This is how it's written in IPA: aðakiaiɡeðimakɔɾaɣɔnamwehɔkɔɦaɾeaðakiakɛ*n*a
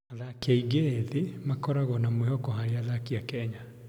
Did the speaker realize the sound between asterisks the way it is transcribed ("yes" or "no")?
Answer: no